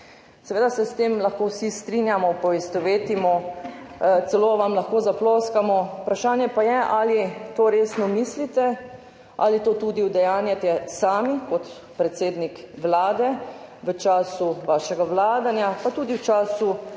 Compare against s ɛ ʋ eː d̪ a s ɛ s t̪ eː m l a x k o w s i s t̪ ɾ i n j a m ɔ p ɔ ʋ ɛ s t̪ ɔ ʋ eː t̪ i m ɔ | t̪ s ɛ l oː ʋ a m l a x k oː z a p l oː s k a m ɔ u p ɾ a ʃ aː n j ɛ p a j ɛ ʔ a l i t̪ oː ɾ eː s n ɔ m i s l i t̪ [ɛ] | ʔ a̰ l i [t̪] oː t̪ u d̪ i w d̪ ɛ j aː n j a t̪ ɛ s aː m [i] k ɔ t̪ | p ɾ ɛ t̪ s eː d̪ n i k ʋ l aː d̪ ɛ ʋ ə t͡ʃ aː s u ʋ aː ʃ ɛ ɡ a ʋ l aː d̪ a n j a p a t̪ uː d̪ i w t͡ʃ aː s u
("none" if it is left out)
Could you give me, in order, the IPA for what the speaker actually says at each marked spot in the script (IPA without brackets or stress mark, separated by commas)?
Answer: ɛ, t̪, i